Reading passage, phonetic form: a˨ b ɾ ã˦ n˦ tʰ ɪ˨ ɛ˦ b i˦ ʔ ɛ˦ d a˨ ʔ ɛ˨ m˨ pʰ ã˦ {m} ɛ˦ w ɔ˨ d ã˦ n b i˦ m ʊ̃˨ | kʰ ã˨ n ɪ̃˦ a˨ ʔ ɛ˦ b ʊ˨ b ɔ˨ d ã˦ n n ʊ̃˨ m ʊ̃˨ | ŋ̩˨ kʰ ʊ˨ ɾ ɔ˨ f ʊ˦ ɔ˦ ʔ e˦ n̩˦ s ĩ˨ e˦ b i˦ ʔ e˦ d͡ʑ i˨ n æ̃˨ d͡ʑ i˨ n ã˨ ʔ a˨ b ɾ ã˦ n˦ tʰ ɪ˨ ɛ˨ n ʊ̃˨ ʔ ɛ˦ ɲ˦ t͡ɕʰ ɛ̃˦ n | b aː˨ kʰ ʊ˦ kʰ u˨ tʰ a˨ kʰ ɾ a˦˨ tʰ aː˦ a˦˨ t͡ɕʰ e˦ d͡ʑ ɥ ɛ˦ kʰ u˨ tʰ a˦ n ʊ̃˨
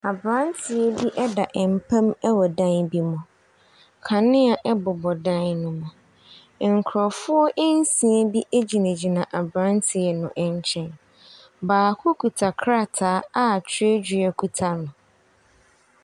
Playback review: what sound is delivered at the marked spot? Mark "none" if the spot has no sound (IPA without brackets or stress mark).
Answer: m